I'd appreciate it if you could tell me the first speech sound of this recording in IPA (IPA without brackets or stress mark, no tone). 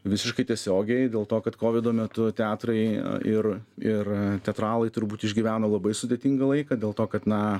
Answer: ʋʲ